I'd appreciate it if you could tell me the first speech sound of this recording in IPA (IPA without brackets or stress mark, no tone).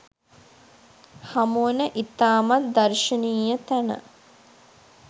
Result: h